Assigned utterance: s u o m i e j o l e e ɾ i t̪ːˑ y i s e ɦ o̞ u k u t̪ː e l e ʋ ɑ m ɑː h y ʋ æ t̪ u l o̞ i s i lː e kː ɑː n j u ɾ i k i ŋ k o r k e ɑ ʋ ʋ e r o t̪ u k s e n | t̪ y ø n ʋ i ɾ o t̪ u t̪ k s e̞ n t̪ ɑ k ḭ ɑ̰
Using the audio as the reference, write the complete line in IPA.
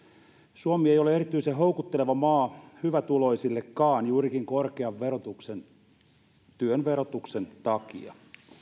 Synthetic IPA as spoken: s u o m i e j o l e e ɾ i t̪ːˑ y i s e ɦ o̞ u k u t̪ː e l e ʋ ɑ m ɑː h y ʋ æ t̪ u l o̞ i s i lː e kː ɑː n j uː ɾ i k i ŋ k o r k e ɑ ʋ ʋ e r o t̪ u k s e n | t̪ y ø n ʋ e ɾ o t̪ u k s e̞ n t̪ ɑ k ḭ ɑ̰